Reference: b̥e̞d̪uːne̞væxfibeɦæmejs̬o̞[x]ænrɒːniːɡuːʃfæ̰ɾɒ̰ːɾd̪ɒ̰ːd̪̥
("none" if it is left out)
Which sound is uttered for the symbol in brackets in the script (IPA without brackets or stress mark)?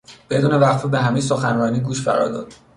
x